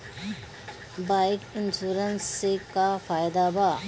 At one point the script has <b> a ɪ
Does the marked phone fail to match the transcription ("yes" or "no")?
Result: no